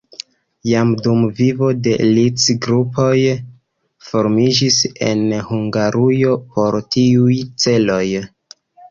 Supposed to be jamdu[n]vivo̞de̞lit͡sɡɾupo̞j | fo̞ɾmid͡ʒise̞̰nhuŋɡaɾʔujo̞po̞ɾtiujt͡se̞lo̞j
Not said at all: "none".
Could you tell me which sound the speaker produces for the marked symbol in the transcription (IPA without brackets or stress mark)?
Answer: m